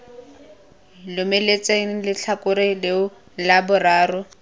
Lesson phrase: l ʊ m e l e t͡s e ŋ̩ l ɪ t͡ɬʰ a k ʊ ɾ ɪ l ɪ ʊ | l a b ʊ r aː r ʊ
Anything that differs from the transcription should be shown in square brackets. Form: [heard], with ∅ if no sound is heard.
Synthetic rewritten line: l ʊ m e l e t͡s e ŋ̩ l ɪ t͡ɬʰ a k ʊ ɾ ɪ l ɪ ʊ | l a b ʊ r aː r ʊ